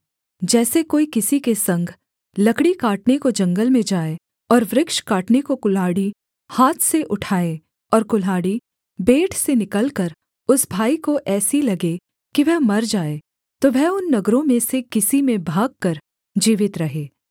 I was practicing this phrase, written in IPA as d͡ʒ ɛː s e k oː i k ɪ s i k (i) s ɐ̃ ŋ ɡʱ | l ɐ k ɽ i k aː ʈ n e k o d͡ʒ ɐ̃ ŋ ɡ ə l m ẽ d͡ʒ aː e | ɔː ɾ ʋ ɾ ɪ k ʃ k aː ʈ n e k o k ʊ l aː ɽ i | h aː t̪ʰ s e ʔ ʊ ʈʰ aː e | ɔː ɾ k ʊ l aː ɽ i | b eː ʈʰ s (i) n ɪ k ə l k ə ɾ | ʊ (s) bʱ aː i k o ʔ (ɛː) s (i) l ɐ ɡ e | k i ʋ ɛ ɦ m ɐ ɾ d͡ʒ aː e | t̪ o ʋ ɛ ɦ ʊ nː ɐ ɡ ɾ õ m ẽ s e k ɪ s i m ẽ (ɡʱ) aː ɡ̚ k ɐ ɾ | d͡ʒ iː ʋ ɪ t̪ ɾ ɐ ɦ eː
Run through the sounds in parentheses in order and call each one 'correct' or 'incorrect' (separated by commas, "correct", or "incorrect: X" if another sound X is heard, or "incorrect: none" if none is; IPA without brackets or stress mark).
incorrect: e, incorrect: e, correct, correct, correct, incorrect: bʱ